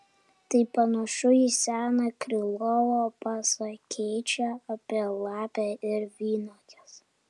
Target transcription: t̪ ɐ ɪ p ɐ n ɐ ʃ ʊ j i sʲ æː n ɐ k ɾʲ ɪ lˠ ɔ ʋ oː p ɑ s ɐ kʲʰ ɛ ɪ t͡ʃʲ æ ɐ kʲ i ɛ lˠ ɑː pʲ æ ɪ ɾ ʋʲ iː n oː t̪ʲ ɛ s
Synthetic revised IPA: t̪ ɐ ɪ p ɐ n ɐ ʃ ʊ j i sʲ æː n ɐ k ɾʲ ɪ lˠ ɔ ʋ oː p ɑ s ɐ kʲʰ ɛ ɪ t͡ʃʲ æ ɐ pʲ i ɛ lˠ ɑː pʲ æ ɪ ɾ ʋʲ iː n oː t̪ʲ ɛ s